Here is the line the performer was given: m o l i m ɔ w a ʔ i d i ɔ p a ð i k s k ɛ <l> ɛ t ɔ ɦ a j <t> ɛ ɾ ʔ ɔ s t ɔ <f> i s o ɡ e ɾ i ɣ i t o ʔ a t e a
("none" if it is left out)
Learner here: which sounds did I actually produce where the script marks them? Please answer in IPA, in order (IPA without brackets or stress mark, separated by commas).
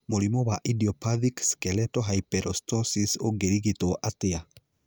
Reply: l, p, s